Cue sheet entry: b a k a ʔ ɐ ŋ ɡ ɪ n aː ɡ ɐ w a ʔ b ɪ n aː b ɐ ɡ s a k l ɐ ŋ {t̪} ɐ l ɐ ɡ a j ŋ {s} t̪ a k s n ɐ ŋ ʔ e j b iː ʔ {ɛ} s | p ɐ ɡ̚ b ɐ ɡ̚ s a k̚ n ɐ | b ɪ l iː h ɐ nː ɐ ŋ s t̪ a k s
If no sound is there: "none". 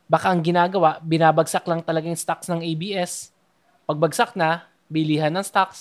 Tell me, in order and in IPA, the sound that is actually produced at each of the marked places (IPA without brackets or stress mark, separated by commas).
t̪, s, ɛ